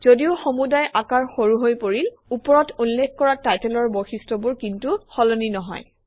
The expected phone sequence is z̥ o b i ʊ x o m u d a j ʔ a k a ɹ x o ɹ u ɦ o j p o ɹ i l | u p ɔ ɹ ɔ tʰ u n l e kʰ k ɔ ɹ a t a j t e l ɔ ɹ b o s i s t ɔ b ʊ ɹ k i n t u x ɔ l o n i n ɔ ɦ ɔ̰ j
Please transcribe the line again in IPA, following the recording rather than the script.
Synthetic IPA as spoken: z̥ o d i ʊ x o m u d a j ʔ a k a ɹ x o ɹ u ɦ o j p o ɹ i l | u p ɔ ɹ ɔ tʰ u n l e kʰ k ɔ ɹ a t a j t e l ɔ ɹ b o x i s t ɔ b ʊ ɹ k i n t u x ɔ l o n i n ɔ ɦ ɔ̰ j